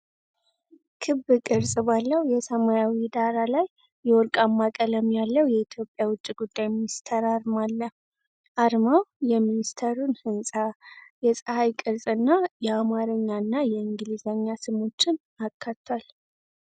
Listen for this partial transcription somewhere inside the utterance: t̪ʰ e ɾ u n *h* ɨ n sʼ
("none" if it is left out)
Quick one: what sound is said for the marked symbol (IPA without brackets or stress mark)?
h